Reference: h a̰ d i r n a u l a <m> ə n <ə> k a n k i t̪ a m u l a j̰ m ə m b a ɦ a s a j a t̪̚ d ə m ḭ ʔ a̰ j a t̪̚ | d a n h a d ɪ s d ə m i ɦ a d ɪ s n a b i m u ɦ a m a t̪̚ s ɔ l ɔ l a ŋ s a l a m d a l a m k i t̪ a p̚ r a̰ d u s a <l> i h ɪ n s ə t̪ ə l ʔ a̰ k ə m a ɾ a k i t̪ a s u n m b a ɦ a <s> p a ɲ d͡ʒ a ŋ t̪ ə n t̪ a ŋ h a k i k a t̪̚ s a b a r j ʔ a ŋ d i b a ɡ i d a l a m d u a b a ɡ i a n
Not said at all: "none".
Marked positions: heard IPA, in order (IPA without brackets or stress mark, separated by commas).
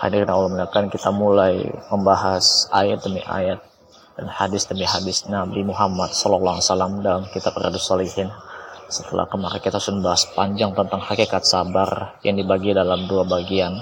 m, a, l, s